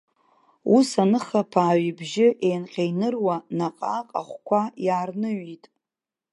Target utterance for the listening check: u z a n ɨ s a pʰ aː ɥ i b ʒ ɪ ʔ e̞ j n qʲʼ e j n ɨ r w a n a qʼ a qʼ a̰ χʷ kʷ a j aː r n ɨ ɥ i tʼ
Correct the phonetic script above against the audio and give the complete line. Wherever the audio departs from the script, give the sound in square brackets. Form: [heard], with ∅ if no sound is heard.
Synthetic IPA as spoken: u [s] a n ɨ [χ] a pʰ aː ɥ i b ʒ ɪ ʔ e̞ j n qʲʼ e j n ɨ r w a n a qʼ a qʼ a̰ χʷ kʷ a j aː r n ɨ ɥ i tʼ